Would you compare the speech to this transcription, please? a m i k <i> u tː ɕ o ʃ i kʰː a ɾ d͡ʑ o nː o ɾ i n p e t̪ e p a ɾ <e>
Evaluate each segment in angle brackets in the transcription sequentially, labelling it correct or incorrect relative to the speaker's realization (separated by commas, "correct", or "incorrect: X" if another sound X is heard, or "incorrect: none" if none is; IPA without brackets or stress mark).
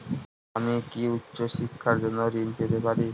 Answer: correct, incorrect: i